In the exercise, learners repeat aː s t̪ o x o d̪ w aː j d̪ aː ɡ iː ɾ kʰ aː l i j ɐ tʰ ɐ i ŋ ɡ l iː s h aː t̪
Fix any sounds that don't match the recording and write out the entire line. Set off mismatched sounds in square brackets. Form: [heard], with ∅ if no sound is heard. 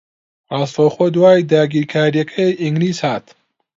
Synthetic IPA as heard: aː s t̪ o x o d̪ w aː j d̪ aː ɡ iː ɾ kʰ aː [ɾ] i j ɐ [kʰ] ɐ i ŋ ɡ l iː s h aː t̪